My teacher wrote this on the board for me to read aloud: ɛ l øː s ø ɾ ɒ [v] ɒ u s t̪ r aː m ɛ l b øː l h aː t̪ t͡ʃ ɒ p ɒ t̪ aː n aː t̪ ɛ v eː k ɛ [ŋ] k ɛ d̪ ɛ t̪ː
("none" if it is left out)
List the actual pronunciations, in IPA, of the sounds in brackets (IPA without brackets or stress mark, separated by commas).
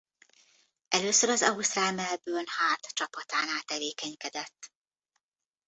z, ɲ